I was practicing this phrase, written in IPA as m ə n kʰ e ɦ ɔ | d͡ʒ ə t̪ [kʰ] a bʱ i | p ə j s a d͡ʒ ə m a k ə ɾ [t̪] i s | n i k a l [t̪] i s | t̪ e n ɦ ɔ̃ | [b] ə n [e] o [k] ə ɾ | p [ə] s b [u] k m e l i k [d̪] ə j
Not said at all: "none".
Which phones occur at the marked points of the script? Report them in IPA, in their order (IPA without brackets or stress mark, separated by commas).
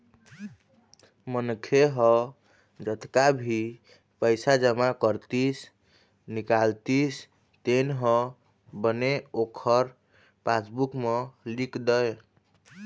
k, t̪, t̪, b, e, kʰ, a, u, d̪